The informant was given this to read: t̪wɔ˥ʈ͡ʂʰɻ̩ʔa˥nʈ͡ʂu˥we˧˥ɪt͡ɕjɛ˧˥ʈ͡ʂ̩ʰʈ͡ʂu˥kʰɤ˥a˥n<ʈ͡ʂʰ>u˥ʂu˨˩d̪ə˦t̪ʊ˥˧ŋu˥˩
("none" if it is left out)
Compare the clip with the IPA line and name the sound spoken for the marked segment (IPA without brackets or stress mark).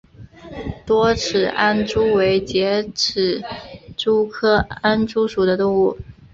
ʈ͡ʂ